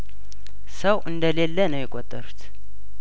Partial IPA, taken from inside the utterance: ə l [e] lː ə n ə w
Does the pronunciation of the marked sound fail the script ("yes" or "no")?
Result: no